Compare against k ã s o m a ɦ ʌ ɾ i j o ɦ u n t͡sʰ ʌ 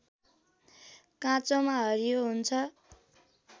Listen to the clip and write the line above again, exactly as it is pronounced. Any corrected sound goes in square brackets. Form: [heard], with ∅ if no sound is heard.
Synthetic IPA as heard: k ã [t͡s] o m a ɦ ʌ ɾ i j o ɦ u n t͡sʰ ʌ